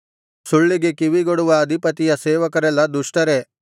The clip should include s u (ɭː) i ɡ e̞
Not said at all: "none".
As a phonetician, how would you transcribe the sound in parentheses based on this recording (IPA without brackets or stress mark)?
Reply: ɭː